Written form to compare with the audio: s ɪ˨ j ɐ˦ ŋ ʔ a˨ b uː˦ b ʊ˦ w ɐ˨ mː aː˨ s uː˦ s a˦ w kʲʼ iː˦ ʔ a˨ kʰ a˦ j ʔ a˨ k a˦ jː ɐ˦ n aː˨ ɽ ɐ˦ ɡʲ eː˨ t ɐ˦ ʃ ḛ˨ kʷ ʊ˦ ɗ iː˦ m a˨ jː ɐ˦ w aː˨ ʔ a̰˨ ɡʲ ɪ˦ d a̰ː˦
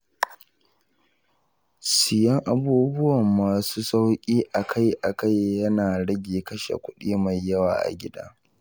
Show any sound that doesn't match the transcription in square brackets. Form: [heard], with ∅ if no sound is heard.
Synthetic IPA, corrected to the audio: s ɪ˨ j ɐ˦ ŋ ʔ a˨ b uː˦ b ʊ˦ w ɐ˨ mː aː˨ s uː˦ s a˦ w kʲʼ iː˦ ʔ a˨ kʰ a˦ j ʔ a˨ k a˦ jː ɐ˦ n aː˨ ɽ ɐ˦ ɡʲ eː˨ [k] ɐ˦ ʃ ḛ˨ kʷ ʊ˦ ɗ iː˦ m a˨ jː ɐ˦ w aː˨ ʔ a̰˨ ɡʲ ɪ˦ d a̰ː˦